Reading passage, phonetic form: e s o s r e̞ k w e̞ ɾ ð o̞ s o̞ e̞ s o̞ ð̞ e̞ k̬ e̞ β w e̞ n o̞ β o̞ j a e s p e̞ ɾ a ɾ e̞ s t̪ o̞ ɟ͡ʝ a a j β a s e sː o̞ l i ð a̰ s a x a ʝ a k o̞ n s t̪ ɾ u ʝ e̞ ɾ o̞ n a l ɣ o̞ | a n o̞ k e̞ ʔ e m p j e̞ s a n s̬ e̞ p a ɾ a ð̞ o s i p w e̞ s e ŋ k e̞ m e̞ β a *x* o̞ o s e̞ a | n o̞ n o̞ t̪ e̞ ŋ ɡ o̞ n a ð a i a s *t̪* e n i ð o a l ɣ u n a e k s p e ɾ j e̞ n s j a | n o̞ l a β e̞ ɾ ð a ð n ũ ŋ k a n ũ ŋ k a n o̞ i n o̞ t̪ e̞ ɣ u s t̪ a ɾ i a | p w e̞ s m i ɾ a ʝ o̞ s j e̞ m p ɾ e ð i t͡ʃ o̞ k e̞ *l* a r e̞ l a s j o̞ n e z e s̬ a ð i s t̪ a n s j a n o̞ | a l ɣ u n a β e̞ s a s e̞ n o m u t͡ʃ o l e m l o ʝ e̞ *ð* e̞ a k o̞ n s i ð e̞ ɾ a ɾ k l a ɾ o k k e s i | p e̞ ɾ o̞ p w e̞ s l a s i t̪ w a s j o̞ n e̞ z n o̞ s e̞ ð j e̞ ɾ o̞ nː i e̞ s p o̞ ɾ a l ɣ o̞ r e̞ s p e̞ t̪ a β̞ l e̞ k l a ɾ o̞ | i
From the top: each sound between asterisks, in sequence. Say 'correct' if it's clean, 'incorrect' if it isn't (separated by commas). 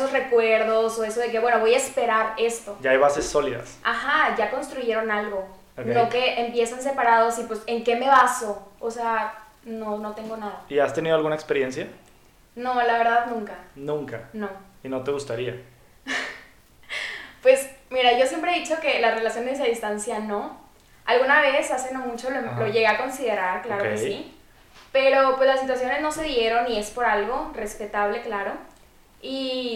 incorrect, correct, correct, incorrect